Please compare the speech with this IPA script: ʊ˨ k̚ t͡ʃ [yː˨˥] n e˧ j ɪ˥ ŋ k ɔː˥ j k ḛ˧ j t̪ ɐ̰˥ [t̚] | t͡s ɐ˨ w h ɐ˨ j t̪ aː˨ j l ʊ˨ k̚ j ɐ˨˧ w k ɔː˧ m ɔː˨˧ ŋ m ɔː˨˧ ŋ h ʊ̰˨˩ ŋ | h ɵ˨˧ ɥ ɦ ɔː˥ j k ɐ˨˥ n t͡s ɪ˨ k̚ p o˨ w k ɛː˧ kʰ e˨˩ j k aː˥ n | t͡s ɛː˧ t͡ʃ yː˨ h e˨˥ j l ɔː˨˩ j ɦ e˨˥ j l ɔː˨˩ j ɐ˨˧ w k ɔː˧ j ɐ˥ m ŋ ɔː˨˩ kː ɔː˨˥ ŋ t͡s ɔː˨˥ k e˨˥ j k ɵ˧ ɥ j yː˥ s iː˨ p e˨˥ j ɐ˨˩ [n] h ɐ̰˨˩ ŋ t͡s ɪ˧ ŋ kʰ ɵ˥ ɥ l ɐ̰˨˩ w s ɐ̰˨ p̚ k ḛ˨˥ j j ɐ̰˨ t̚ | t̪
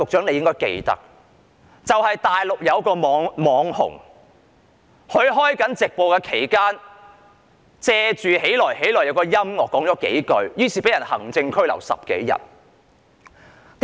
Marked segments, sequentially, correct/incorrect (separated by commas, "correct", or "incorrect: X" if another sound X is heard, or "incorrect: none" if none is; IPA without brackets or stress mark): incorrect: œː˨˥, incorrect: k̚, correct